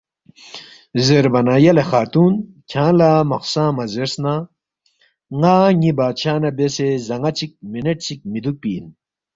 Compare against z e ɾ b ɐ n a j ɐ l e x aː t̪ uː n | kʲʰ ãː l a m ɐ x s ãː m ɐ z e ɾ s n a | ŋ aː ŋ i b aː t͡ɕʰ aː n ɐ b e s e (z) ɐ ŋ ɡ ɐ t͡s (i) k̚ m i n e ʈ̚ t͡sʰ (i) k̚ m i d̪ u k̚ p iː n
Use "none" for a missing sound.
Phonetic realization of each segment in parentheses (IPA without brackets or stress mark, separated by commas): z, i, i